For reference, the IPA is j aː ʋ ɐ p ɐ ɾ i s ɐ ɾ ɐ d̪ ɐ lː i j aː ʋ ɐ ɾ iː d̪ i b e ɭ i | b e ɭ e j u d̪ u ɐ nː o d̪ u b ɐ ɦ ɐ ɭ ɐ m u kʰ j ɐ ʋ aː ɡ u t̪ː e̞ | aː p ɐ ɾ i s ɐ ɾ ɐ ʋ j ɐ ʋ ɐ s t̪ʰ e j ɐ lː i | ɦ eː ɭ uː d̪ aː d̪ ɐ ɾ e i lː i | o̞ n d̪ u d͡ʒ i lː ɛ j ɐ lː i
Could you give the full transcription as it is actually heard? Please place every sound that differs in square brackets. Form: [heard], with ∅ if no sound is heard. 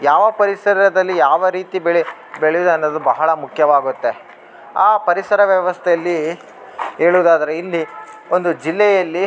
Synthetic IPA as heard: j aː ʋ ɐ p ɐ ɾ i s ɐ ɾ ɐ d̪ ɐ lː i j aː ʋ ɐ ɾ iː [t̪] i b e ɭ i | b e ɭ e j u d̪ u ɐ nː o d̪ u b ɐ ɦ ɐ ɭ ɐ m u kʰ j ɐ ʋ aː ɡ u t̪ː e̞ | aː p ɐ ɾ i s ɐ ɾ ɐ ʋ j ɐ ʋ ɐ s t̪ʰ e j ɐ lː i | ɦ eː ɭ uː d̪ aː d̪ ɐ ɾ e i lː i | o̞ n d̪ u d͡ʒ i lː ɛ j ɐ lː i